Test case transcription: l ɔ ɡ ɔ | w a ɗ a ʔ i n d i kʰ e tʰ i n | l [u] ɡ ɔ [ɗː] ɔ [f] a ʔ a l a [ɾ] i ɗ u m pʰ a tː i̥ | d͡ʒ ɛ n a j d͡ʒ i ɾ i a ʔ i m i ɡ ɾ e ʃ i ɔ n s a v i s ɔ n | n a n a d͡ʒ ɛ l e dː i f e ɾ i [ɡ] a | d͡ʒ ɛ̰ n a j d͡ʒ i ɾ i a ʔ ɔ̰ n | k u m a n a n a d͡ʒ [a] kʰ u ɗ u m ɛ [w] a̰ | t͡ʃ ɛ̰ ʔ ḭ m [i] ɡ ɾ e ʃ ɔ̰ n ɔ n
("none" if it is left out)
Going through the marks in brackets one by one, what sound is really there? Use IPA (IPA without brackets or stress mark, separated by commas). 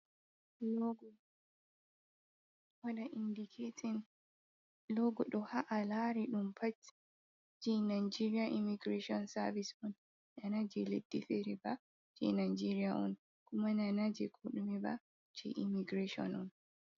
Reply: ɔ, ɗ, h, ɾ, b, ɛ, b, i